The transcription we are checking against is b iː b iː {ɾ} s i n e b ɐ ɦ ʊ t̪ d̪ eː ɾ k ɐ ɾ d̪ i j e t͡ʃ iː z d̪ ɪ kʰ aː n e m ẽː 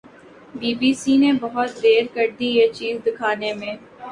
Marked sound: incorrect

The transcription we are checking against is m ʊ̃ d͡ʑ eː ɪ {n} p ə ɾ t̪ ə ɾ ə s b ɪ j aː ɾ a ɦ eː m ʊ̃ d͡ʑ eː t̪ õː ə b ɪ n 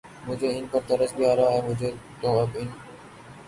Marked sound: correct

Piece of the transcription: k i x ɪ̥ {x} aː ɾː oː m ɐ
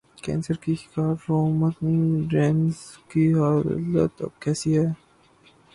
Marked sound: incorrect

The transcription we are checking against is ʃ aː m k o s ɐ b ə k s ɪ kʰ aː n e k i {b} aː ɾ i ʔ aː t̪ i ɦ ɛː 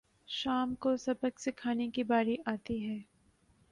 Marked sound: correct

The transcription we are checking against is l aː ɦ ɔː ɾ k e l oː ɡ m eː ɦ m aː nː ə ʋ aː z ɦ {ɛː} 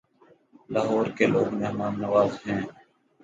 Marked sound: incorrect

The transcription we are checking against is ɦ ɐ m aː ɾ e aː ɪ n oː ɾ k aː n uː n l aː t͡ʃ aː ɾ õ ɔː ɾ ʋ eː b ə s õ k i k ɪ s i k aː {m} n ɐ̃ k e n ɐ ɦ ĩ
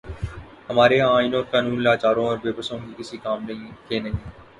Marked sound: correct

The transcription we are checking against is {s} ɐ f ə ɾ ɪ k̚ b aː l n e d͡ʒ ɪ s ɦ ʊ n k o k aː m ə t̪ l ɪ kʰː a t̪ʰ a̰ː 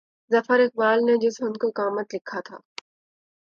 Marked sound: incorrect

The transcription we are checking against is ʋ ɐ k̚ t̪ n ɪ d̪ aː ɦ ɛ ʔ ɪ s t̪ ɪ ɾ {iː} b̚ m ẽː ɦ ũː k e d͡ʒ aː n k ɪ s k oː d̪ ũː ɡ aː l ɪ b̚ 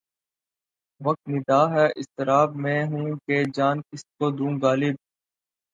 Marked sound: incorrect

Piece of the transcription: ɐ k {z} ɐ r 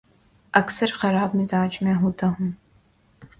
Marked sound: incorrect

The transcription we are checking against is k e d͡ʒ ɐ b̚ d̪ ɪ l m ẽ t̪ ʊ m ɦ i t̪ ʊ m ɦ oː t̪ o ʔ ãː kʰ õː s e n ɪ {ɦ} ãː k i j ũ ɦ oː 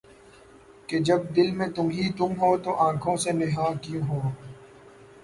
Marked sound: correct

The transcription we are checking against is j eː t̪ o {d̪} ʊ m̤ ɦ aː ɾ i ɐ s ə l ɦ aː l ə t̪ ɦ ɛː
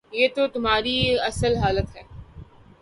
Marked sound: incorrect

